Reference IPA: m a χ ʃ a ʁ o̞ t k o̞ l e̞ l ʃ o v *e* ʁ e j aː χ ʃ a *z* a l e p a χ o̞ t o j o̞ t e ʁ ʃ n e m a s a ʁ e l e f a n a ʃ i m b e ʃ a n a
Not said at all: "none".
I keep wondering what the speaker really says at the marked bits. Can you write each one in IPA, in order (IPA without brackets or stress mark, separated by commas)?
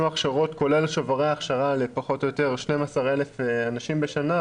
a, ʁ